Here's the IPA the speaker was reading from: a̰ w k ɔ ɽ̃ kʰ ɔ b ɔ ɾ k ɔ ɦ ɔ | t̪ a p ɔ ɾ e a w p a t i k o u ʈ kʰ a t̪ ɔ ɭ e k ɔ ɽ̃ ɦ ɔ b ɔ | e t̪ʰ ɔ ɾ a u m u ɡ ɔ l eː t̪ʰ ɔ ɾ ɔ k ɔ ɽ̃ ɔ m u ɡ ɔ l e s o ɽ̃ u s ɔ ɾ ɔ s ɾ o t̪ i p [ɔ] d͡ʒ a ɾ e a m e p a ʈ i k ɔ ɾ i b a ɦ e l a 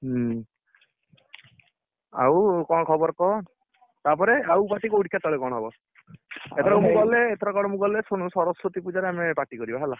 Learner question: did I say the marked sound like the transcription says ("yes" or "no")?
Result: no